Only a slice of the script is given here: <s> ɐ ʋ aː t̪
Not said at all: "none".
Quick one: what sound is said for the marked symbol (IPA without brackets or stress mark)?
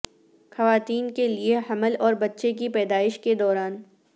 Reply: x